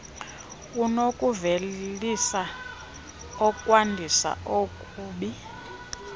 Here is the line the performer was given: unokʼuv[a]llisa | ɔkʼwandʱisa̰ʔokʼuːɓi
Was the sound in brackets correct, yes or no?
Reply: no